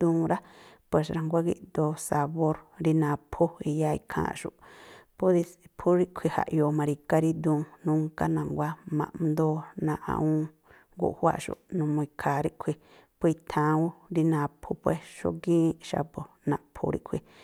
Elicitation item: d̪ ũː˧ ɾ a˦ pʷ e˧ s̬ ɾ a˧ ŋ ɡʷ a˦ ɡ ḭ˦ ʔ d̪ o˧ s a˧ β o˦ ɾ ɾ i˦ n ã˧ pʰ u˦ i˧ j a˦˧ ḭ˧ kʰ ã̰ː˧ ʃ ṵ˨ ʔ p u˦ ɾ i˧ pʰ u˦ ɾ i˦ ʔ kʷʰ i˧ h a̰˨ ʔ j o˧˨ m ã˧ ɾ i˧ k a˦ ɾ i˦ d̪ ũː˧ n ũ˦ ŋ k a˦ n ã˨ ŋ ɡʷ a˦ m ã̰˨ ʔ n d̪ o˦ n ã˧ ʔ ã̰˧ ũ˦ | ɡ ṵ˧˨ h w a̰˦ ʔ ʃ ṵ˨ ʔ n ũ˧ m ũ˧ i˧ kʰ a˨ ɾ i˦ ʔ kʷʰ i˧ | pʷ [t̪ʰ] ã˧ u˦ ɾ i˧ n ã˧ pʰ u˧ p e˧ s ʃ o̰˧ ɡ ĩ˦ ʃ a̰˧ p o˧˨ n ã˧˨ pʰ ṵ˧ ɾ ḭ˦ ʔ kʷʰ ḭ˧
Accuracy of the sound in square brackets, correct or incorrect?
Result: correct